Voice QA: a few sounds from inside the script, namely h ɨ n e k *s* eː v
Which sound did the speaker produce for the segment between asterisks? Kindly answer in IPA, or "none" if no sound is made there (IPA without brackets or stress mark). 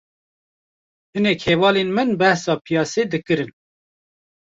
h